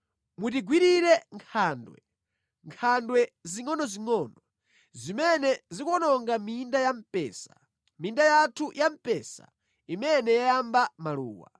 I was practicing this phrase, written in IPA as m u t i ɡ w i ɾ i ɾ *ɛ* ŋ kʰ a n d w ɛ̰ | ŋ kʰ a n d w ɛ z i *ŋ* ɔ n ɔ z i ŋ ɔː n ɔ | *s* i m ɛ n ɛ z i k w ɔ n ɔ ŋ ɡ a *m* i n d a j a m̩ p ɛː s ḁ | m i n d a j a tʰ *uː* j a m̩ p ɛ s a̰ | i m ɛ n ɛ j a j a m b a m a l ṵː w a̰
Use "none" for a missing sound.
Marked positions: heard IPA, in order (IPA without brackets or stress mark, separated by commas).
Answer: ɛ, ŋ, z, m, u